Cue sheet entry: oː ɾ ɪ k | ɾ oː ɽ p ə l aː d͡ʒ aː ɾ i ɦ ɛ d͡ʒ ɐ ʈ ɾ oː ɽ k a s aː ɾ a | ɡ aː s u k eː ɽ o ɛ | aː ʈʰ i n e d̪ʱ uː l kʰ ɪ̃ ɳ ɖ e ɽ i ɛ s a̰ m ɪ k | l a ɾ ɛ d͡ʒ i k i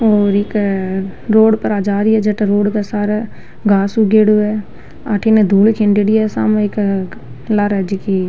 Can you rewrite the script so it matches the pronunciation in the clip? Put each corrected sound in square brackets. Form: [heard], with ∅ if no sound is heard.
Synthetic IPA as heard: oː ɾ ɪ k | ɾ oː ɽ p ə [ɾ] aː d͡ʒ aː ɾ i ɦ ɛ d͡ʒ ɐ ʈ ɾ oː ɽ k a s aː ɾ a | ɡ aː s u [ɡ] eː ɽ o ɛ | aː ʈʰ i n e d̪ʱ uː l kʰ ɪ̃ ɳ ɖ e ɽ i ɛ s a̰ m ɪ k | l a ɾ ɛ d͡ʒ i k i